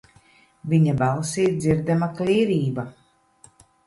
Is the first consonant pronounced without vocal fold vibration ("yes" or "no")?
no